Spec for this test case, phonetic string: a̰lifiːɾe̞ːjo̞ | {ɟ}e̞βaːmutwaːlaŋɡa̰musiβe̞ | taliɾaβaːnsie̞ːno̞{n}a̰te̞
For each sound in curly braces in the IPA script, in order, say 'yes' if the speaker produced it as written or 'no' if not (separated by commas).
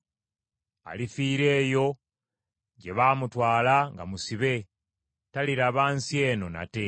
yes, yes